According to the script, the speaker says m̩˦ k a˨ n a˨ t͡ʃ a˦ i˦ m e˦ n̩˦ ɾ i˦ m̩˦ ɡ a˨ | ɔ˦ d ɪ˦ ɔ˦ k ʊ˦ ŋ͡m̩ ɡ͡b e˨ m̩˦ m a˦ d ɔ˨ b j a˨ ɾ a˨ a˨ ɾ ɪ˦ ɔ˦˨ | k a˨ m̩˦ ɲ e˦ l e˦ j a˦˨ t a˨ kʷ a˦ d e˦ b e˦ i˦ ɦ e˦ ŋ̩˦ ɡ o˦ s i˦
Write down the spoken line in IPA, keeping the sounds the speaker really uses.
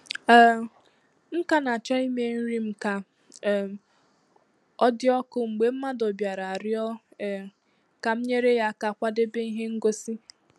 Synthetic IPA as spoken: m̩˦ k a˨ n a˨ t͡ʃ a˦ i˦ m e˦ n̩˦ ɾ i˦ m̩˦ k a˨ | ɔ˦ d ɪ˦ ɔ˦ k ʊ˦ ŋ͡m̩ ɡ͡b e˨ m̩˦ m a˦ d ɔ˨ b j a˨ ɾ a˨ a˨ ɾ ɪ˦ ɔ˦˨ | k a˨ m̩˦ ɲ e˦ ɾ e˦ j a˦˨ k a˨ kʷ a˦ d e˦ b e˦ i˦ ɦ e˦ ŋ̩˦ ɡ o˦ s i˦